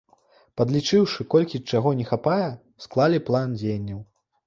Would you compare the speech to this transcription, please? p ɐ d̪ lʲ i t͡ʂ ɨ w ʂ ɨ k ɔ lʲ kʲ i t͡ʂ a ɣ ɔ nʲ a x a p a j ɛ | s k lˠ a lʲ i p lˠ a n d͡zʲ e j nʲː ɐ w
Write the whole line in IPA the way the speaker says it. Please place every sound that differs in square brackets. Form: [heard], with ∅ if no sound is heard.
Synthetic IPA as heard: p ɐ d̪ lʲ i t͡ʂ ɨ w ʂ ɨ k ɔ lʲ kʲ i t͡ʂ a ɣ ɔ nʲ [ɛ] x a p a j ɛ | s k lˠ a lʲ i p lˠ a n d͡zʲ e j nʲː ɐ w